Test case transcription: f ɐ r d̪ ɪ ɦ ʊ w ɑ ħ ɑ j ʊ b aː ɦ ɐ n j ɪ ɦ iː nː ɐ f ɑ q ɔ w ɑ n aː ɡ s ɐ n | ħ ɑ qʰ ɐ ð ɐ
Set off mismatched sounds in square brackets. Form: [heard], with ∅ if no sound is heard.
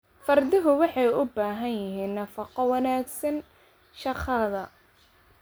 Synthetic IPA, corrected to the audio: f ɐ r d̪ ɪ ɦ ʊ w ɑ ħ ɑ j ʊ b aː ɦ ɐ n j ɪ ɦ iː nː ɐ f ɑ q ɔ w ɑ n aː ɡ s ɐ n | [ʃ] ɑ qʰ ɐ ð ɐ